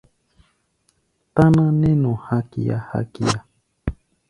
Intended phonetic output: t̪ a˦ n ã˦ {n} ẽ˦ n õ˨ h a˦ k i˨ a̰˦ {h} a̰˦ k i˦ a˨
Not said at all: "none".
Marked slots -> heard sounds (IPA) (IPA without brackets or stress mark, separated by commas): n, h